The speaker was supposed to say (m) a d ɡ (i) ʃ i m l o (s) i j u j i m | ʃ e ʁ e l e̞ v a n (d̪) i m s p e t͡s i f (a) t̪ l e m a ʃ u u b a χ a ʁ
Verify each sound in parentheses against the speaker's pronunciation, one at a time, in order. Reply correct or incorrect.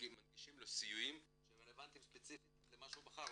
correct, correct, correct, incorrect: t̪, incorrect: i

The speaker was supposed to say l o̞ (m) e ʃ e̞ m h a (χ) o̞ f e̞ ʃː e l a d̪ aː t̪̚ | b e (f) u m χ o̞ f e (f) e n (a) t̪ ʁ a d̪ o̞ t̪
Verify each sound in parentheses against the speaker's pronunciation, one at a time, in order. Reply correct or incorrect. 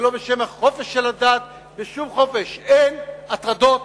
incorrect: b, correct, incorrect: ʃ, incorrect: ʃ, correct

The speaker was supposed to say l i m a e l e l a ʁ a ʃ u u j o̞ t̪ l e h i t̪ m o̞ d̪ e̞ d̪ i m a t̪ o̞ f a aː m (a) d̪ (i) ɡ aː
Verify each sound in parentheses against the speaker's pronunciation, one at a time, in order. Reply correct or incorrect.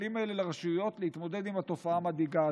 correct, correct

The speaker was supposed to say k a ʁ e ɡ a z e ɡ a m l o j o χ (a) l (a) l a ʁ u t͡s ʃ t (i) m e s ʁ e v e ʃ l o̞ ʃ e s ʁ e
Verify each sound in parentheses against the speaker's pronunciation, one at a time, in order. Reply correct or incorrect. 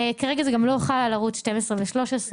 correct, correct, incorrect: e

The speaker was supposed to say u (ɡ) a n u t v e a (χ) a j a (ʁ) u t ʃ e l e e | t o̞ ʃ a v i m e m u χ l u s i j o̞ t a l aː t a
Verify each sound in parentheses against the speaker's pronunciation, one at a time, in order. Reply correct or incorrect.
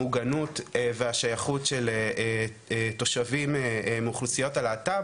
correct, incorrect: ʃ, incorrect: χ

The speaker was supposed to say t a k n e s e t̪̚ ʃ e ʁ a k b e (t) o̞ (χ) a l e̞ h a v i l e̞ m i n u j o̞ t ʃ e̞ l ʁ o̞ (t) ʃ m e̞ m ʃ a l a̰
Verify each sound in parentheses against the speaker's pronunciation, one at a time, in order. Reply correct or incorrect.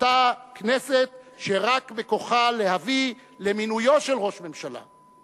incorrect: k, correct, incorrect: none

